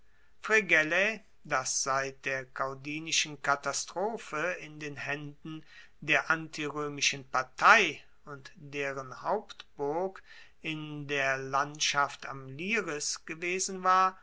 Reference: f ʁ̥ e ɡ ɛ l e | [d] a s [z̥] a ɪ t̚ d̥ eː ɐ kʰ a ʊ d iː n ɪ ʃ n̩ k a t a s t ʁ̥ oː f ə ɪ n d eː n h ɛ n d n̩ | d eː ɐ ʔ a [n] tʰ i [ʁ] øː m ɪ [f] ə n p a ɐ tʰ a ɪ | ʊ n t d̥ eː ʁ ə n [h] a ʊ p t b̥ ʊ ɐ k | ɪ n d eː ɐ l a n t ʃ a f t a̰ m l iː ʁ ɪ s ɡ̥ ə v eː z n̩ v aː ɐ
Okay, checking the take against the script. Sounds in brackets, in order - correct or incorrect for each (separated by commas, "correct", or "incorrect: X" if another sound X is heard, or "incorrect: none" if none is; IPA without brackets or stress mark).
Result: correct, correct, correct, correct, incorrect: ʃ, correct